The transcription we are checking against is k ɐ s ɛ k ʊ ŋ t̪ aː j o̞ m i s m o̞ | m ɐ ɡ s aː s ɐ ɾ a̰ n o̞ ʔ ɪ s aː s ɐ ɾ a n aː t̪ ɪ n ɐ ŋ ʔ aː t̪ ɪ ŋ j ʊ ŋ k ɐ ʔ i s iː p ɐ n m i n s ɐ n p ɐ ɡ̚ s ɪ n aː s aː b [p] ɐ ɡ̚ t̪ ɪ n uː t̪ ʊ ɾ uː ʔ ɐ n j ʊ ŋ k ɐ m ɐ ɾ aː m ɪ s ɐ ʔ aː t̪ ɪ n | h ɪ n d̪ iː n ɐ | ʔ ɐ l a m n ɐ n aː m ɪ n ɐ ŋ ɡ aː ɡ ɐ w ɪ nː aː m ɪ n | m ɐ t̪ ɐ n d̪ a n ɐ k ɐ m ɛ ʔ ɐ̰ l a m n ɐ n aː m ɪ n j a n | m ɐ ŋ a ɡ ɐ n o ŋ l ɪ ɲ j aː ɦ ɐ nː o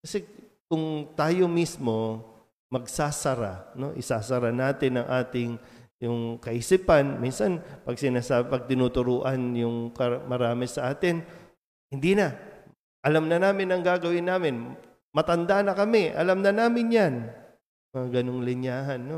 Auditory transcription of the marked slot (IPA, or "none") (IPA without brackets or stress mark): p